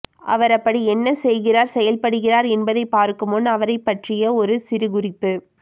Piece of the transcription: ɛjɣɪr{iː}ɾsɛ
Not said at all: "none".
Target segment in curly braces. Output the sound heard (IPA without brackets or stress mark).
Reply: aː